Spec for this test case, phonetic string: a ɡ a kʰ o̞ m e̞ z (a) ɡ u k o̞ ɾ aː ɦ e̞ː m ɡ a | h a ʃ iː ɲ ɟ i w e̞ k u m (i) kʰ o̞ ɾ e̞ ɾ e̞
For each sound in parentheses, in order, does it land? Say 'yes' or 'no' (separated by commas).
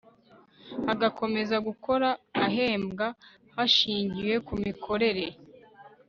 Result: yes, yes